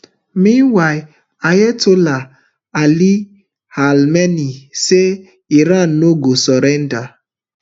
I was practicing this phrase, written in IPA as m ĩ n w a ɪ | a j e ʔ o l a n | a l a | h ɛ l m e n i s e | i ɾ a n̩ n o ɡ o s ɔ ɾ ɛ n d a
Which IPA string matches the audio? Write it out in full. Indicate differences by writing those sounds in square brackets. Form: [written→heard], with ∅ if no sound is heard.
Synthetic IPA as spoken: m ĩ n w a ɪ | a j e [ʔ→t] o l a [n→∅] | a l [a→i] | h [ɛ→a] l m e n i s e | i ɾ a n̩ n o ɡ o s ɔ ɾ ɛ n d a